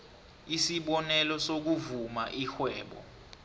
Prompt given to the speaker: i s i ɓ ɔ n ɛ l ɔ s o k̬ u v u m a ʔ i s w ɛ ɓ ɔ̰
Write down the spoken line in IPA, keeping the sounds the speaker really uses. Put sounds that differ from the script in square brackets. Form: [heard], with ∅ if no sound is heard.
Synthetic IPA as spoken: i s i ɓ ɔ n ɛ l ɔ s o k̬ u v u m a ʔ i [x] w [ɛː] ɓ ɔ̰

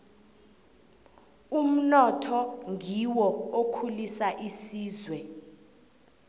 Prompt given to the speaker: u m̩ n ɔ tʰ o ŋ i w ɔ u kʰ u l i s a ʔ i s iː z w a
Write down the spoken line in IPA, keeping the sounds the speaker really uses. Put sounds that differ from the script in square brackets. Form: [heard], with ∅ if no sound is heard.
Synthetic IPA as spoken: u m̩ n ɔ tʰ [ɔ] ŋ i w ɔ [o] kʰ u l i s a ʔ i s iː z w [ɛ]

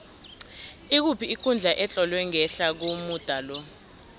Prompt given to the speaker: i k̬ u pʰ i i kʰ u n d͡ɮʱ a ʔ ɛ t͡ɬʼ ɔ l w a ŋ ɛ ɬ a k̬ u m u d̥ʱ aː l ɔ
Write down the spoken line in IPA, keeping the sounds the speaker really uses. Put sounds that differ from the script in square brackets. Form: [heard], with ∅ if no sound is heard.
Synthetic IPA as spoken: i k̬ u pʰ i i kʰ u n d͡ɮʱ a ʔ ɛ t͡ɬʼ ɔ l w [ɛ] ŋ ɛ ɬ a k̬ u m u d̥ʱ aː l ɔ

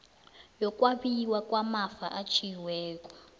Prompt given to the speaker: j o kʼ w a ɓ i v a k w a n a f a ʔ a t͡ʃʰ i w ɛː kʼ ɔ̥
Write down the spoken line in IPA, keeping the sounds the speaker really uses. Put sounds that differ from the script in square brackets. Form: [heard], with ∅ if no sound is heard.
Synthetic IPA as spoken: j [ɔ] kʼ w a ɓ i [w] a k w a [m] a f a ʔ a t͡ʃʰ i w ɛː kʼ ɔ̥

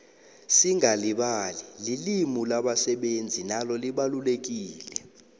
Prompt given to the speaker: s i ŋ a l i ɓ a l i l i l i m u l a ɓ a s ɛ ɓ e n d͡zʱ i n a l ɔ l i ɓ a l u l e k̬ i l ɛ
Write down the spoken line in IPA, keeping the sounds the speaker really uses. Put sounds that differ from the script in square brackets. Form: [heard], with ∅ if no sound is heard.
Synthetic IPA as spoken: s i ŋ a l i ɓ a l i l i l i m u l a ɓ a s ɛ ɓ e n d͡zʱ i n a l ɔ l i ɓ a l u l e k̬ [iː] l ɛ

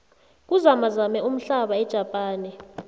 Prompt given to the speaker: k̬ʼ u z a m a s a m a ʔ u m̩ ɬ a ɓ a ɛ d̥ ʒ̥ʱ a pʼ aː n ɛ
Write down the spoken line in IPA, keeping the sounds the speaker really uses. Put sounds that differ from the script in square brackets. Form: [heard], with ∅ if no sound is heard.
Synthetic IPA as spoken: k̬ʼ u z a m a [z] a m [ɛ] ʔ u m̩ ɬ a ɓ a ɛ d̥ ʒ̥ʱ a pʼ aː n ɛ

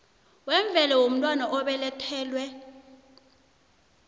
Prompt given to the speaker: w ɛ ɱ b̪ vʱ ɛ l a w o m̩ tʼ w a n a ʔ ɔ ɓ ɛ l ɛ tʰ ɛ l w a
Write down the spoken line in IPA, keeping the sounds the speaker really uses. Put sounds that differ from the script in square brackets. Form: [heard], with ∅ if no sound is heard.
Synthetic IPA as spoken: w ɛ ɱ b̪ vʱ ɛ l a w o m̩ tʼ w a n a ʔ ɔ ɓ ɛ l ɛ tʰ [ɛː] l w [ɛ]

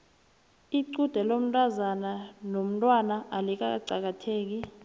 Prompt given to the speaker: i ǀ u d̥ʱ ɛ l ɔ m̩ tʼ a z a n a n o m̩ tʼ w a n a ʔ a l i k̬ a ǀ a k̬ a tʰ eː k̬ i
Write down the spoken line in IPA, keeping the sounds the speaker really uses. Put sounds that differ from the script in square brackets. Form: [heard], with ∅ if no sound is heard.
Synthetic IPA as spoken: i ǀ u d̥ʱ ɛ l [o] m̩ tʼ a z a n a n o m̩ tʼ w a n a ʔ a l i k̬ a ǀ a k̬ a tʰ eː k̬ i

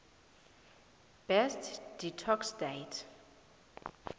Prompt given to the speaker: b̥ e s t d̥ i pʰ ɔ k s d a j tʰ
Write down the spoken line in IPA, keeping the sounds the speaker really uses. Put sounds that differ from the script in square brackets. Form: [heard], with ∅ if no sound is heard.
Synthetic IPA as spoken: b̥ [ɛ] s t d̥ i [tʰ] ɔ k s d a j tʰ

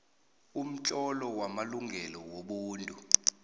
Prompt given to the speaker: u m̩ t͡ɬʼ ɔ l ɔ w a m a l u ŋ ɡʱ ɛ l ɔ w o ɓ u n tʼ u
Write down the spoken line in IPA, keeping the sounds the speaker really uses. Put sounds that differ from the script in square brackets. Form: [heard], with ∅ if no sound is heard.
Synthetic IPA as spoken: u m̩ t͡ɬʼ ɔ l ɔ w a m a l u ŋ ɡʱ ɛ l ɔ w o ɓ [uː] n tʼ u

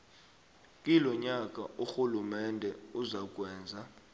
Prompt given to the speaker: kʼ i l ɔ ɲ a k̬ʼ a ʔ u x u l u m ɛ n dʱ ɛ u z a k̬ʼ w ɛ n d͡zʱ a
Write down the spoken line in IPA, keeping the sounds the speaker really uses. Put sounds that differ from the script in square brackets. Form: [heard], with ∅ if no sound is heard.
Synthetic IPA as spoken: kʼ i l ɔ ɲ a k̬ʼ a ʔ u x u l u m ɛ n dʱ ɛ u z a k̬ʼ w [ɛː] n d͡zʱ a

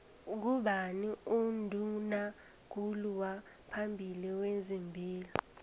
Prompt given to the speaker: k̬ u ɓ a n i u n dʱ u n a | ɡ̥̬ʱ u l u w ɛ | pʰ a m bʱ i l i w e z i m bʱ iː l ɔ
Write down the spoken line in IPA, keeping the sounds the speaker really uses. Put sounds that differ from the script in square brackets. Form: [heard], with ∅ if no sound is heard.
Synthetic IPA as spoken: k̬ u ɓ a n i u n dʱ u n a | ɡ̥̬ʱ u l u w [a] | pʰ a m bʱ i l i w e z i m bʱ iː l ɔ

